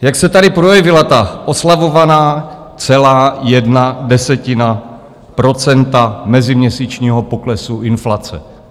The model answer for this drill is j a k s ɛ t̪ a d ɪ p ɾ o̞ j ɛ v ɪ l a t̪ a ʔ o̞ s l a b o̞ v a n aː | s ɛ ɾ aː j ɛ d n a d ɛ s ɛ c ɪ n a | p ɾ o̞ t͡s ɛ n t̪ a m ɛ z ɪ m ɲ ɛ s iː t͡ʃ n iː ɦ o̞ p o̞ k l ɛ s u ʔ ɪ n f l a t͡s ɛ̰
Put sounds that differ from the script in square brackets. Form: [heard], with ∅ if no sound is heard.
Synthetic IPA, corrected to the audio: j a k s ɛ t̪ a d ɪ p ɾ o̞ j ɛ v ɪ l a t̪ a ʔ o̞ s l a [v] o̞ v a n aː | [t͡s] ɛ [l] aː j ɛ d n a d ɛ s ɛ c ɪ n a | p ɾ o̞ t͡s ɛ n t̪ a m ɛ z ɪ m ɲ ɛ s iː t͡ʃ [ɲ] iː ɦ o̞ p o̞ k l ɛ s u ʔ ɪ n f l a t͡s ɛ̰

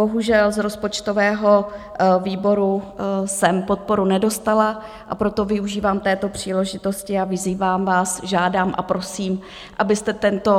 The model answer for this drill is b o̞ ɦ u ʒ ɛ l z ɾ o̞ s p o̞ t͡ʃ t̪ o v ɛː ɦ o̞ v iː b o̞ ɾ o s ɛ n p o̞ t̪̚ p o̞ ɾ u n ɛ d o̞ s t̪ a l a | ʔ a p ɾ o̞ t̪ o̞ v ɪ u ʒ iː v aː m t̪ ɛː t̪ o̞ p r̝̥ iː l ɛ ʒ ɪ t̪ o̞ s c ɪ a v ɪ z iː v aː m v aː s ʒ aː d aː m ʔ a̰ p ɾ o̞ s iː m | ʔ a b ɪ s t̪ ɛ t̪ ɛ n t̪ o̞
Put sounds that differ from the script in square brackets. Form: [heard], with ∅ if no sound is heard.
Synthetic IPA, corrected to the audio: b o̞ ɦ u ʒ ɛ l z ɾ o̞ s p o̞ t͡ʃ t̪ o v ɛː ɦ o̞ v iː b o̞ ɾ [u] s ɛ [m] p o̞ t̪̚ p o̞ ɾ u n ɛ d o̞ s t̪ a l a | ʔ a p ɾ o̞ t̪ o̞ v ɪ u ʒ iː v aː m t̪ ɛː t̪ o̞ p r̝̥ iː l ɛ ʒ ɪ t̪ o̞ s c ɪ a v ɪ z iː v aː m v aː s ʒ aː d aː m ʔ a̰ p ɾ o̞ s iː m | ʔ a b ɪ s t̪ ɛ t̪ ɛ n t̪ o̞

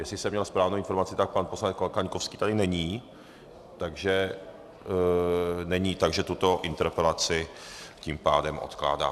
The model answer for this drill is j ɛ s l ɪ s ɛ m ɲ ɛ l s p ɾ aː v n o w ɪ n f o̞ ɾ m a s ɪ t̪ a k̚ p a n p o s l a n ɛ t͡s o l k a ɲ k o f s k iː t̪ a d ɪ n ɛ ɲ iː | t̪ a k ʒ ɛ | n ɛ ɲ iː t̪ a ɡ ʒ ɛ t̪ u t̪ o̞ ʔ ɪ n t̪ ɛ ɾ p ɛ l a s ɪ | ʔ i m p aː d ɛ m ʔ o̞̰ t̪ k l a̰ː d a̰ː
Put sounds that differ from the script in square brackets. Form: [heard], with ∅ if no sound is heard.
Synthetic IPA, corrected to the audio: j ɛ s l ɪ s ɛ m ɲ ɛ l s p ɾ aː v n o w ɪ n f o̞ ɾ m a [t͡s] ɪ t̪ a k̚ p a n p o s l a n ɛ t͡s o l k a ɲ k o f s k iː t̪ a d ɪ n ɛ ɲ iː | t̪ a [ɡ] ʒ ɛ | n ɛ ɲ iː t̪ a ɡ ʒ ɛ t̪ u t̪ o̞ ʔ ɪ n t̪ ɛ ɾ p ɛ l a [t͡s] ɪ | [c] i m p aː d ɛ m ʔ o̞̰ t̪ k l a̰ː d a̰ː

